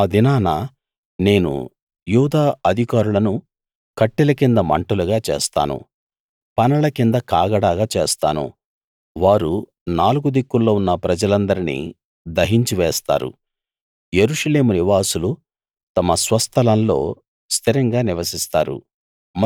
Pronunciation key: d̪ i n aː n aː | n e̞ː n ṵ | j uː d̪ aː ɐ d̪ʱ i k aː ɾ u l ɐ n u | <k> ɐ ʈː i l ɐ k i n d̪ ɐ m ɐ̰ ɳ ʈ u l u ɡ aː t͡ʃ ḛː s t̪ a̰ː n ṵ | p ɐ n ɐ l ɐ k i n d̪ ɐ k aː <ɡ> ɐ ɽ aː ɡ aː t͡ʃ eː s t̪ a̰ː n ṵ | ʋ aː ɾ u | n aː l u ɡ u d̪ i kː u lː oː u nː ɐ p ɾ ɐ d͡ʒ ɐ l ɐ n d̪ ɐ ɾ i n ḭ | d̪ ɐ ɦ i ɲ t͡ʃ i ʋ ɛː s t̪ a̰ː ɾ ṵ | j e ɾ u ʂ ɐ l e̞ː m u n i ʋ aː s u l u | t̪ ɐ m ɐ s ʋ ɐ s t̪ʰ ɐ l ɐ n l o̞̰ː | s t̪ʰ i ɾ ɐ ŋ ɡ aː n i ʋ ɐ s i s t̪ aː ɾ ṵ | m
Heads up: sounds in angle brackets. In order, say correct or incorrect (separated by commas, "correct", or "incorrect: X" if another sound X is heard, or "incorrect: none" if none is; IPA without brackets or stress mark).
correct, correct